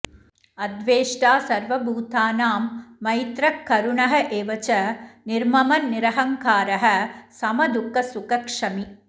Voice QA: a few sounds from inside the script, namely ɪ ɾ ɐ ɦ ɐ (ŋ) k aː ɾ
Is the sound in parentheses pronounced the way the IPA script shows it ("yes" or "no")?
yes